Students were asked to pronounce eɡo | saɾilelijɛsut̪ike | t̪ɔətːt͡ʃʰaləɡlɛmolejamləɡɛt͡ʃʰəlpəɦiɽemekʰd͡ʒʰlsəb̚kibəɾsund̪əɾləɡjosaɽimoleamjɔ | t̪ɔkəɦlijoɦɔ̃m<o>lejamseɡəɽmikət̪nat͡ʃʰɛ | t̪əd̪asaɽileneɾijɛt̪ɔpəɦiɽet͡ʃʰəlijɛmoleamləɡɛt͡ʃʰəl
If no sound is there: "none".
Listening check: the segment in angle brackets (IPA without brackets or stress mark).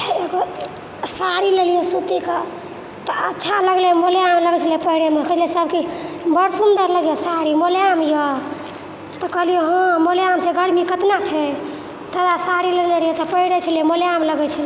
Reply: o